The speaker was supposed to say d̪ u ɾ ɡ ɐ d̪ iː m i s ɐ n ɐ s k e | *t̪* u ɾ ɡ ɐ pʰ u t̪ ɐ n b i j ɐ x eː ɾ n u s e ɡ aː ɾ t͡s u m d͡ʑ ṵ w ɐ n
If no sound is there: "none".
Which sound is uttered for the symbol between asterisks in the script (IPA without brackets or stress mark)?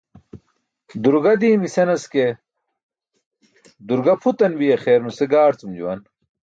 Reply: d̪